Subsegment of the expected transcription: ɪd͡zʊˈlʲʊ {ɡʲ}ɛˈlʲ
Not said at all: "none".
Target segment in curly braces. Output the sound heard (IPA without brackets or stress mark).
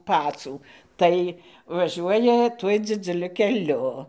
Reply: kʲ